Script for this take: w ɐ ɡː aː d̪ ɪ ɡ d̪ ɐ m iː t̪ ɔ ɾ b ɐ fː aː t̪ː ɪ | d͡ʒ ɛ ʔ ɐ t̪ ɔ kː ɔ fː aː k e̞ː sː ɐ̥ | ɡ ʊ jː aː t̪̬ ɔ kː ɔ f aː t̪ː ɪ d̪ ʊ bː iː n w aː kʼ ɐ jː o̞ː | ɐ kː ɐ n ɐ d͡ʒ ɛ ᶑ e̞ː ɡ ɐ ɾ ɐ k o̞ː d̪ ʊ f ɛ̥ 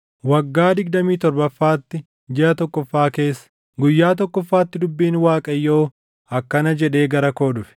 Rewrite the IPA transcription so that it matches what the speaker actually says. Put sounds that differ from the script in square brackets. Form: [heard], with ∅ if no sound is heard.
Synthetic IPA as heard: w ɐ ɡː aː d̪ ɪ ɡ d̪ ɐ m iː t̪ ɔ ɾ b ɐ fː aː t̪ː ɪ | d͡ʒ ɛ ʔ ɐ t̪ ɔ kː ɔ fː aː k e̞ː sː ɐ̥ | ɡ ʊ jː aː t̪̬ ɔ kː ɔ [fː] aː t̪ː ɪ d̪ ʊ bː iː n w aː kʼ ɐ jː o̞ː | ɐ kː ɐ n ɐ d͡ʒ ɛ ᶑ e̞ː ɡ ɐ ɾ ɐ k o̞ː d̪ ʊ f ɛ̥